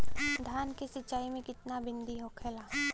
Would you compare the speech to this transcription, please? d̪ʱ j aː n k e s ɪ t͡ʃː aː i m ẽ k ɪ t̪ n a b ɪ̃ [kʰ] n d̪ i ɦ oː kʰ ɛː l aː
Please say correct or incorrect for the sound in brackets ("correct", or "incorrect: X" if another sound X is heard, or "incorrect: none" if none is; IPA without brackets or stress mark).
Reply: incorrect: none